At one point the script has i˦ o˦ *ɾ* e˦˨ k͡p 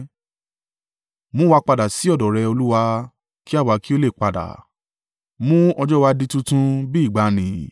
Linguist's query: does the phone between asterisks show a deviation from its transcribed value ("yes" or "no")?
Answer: yes